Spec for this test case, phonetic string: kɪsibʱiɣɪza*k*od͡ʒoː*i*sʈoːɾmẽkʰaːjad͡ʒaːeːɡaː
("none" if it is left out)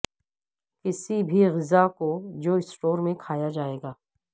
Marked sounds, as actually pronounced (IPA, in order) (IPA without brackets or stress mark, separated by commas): k, ɪ